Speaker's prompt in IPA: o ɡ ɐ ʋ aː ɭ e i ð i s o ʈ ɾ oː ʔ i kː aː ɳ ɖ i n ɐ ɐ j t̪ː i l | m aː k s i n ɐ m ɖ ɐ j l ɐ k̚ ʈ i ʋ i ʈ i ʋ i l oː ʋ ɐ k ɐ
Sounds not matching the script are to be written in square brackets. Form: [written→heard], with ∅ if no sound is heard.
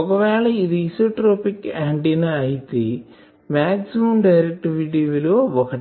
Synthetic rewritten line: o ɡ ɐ ʋ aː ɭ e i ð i s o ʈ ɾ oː [ʔ→p] i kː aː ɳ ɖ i n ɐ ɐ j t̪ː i [l→∅] | m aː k s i [n→m] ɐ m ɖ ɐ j [l→ɾ] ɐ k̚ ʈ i ʋ i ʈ i ʋ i l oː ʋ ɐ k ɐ